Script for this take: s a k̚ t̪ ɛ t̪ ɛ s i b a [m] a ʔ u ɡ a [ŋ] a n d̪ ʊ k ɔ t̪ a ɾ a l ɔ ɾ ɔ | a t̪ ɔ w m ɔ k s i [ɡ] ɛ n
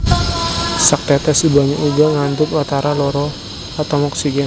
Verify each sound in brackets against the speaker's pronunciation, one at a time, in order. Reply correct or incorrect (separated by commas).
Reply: incorrect, correct, correct